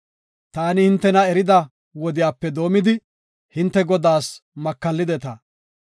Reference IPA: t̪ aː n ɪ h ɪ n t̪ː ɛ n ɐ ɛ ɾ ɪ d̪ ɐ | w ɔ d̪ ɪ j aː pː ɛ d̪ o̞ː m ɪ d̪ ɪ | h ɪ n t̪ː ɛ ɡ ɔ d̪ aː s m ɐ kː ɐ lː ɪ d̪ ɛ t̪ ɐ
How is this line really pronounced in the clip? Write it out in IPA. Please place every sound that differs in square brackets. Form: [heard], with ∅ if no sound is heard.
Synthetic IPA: t̪ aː n ɪ h ɪ n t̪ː ɛ n ɐ ɛ ɾ ɪ d̪ ɐ | w ɔ d̪ ɪ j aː pː ɛ d̪ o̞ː m ɪ d̪ ɪ | h ɪ n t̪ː ɛ ɡ ɔ d̪ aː s m ɐ kː ɐ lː ɪ d̪ ɛ t̪ ɐ